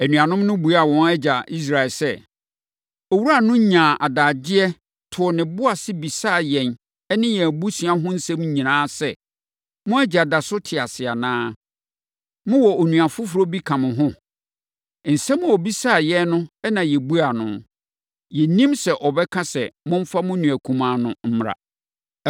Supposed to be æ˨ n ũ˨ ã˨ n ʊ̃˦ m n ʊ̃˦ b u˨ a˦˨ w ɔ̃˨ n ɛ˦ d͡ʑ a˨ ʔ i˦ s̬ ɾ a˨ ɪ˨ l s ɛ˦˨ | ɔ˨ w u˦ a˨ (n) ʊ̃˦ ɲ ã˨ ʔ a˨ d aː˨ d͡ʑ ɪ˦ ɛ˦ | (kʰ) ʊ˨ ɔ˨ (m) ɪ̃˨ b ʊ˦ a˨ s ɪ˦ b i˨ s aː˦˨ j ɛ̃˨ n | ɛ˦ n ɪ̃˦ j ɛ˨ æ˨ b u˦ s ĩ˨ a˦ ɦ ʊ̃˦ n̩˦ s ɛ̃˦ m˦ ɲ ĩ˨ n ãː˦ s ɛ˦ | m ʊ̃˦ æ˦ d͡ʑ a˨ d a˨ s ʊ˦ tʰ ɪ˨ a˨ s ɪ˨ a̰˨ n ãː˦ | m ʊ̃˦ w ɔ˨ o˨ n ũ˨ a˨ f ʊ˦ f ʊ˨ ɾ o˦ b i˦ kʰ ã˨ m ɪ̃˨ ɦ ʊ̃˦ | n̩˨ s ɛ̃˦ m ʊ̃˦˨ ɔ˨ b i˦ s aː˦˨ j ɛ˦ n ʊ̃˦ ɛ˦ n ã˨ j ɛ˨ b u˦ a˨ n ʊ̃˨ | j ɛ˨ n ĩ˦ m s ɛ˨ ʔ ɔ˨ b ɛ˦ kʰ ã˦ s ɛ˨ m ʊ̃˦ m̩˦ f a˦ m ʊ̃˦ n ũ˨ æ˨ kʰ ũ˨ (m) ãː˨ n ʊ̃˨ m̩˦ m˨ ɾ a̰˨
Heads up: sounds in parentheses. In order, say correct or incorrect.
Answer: correct, incorrect: tʰ, incorrect: n, correct

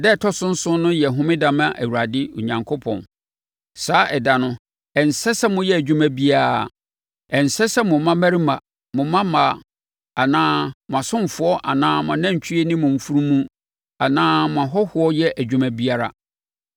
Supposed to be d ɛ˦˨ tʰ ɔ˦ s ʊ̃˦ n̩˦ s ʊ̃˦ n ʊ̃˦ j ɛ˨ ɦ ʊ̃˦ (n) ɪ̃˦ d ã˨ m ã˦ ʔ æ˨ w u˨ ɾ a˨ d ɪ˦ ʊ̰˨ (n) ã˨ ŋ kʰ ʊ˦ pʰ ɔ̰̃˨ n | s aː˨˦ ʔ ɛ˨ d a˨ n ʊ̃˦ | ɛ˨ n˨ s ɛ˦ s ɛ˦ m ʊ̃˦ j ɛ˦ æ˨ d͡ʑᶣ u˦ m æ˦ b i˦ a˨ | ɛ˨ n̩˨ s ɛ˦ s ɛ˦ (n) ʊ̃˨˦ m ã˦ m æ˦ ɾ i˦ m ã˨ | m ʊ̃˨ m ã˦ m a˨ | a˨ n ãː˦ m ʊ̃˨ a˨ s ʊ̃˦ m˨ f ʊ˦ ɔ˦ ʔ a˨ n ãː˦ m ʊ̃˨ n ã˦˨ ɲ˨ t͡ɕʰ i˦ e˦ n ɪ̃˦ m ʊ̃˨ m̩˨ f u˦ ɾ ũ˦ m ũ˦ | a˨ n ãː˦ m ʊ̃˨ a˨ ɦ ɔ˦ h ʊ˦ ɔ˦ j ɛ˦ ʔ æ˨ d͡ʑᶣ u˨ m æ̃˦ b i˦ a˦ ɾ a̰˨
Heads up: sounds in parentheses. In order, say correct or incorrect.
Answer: incorrect: m, incorrect: ɲ, incorrect: m

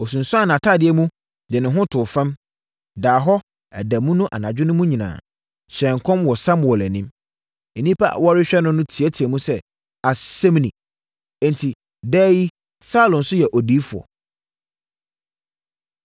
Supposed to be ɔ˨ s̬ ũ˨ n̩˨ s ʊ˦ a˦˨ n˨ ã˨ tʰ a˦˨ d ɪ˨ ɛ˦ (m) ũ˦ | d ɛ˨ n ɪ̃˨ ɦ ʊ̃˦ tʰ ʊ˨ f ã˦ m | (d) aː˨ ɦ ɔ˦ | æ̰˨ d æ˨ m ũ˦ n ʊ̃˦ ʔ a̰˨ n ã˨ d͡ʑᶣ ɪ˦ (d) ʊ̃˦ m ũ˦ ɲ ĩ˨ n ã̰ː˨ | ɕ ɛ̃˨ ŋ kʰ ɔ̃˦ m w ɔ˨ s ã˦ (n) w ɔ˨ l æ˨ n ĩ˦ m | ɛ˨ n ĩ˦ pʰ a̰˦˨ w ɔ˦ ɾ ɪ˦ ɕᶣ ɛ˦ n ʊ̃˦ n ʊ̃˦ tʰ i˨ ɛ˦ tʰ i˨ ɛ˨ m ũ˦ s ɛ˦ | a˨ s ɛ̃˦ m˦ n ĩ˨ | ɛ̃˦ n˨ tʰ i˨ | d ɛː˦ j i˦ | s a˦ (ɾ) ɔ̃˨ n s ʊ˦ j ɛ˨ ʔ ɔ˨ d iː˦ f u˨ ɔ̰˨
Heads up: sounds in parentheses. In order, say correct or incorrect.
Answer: correct, correct, incorrect: n, incorrect: m, incorrect: l

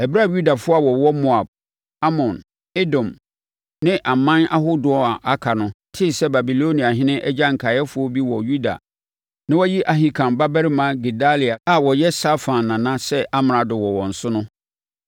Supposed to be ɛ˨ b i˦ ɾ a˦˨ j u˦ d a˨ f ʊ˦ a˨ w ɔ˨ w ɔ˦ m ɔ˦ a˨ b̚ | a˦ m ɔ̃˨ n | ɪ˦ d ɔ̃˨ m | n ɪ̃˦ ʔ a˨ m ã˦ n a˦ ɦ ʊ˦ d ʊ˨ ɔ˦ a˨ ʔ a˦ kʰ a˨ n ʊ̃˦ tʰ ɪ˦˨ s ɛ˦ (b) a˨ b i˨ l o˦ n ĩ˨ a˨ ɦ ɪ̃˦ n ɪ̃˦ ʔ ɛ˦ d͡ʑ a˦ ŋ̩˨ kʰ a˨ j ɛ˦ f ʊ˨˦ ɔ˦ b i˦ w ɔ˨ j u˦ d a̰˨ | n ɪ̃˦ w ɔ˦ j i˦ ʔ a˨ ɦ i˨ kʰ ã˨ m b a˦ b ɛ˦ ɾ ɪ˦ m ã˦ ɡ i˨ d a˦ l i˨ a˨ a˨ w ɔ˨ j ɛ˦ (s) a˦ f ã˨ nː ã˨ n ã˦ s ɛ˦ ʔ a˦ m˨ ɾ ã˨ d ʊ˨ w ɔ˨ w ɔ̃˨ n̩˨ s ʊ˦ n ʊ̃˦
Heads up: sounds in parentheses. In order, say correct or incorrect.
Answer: correct, correct

